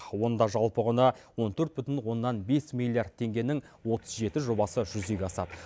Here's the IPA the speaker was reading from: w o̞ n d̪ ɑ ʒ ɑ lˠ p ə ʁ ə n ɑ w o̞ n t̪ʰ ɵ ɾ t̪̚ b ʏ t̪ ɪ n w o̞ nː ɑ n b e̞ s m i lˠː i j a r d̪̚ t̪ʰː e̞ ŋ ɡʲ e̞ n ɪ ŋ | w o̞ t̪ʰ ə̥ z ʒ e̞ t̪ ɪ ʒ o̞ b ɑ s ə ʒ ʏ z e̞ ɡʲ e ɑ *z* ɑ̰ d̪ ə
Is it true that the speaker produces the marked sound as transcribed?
no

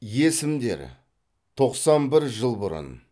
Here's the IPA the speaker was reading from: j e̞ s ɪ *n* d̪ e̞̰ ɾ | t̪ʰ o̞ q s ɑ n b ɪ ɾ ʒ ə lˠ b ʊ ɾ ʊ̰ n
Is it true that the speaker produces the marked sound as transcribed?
no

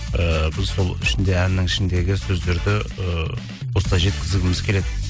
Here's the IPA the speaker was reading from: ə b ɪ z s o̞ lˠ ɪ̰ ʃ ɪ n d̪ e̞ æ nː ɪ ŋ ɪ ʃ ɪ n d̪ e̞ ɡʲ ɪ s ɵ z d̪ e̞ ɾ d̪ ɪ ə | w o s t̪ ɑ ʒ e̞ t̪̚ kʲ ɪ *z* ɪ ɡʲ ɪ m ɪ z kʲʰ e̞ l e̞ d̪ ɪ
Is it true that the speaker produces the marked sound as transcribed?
yes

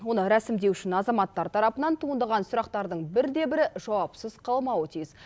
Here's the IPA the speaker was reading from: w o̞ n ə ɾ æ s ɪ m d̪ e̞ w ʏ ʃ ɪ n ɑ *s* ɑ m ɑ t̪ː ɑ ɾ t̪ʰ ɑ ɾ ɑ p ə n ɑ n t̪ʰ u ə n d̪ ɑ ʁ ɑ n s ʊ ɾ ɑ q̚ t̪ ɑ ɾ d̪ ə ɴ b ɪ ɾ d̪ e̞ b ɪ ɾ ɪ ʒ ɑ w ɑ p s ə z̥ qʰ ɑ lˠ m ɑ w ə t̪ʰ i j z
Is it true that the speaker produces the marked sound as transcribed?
no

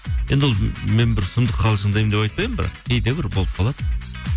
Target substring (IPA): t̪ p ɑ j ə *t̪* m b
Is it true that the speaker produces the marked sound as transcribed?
no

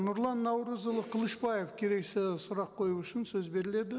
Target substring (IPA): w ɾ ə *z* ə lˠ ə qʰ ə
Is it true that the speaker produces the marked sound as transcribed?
yes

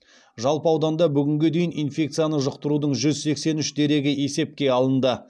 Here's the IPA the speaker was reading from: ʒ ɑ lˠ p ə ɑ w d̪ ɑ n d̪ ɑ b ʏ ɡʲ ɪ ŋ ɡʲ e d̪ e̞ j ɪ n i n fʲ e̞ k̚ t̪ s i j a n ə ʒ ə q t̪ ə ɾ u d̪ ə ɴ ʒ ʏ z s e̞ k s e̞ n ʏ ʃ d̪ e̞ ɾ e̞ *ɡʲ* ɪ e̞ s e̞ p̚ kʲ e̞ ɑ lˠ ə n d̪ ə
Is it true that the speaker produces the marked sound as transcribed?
yes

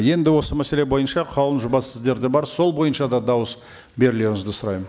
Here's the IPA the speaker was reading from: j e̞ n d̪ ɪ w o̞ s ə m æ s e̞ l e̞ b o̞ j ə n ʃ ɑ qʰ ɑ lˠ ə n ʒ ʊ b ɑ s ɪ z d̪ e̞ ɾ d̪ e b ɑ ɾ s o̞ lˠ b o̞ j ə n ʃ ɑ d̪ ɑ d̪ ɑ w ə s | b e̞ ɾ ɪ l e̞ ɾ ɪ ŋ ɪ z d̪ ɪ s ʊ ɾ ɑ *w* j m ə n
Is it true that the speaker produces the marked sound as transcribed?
no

